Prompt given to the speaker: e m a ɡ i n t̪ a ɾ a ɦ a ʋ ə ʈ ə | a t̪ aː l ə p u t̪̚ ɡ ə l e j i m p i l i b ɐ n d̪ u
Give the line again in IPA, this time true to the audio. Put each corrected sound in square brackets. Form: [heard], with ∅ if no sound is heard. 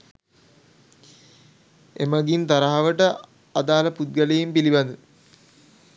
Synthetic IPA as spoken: e m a ɡ i n t̪ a ɾ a ɦ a ʋ ə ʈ ə | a [d̪] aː l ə p u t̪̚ ɡ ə l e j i m p i l i b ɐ n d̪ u